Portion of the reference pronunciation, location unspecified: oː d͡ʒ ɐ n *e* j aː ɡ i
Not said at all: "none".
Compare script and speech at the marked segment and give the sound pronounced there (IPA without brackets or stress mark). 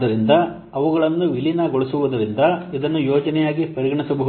ɛ